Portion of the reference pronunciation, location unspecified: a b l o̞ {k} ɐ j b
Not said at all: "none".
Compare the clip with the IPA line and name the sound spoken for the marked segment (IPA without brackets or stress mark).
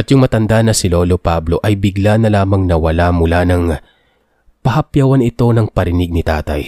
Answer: ʔ